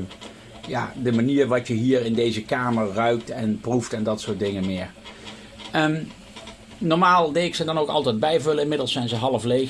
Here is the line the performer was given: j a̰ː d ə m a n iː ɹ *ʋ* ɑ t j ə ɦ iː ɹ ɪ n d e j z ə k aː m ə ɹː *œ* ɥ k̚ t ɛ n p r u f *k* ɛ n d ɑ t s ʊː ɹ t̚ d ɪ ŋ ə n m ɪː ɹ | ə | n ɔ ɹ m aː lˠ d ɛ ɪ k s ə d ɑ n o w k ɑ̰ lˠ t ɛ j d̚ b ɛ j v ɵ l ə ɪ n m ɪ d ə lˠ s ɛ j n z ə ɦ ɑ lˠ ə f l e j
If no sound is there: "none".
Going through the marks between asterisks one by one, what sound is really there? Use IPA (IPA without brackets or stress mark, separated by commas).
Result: ʋ, œ, t